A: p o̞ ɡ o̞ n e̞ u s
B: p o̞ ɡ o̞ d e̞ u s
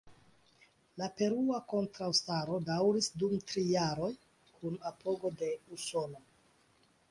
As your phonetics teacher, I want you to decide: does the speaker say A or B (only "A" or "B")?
B